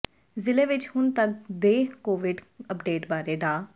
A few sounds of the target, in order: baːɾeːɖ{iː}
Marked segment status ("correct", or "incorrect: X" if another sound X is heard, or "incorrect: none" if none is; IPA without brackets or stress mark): incorrect: aː